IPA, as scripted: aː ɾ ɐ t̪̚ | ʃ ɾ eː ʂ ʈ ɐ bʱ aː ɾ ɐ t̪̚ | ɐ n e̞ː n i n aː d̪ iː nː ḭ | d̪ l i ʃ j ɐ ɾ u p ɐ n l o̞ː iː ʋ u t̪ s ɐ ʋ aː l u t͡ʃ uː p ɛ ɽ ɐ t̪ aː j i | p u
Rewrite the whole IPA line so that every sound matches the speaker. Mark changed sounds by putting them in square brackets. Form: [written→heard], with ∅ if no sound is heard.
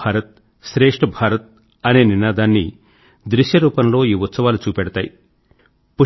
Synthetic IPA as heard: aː ɾ ɐ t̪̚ | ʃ ɾ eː ʂ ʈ ɐ bʱ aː ɾ ɐ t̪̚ | ɐ n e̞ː n i n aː d̪ [iː→aː] nː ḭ | d̪ [l→ɾ] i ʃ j ɐ ɾ [u→uː] p ɐ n l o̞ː iː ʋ u t̪ s ɐ ʋ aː l u t͡ʃ uː p ɛ ɽ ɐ t̪ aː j i | p u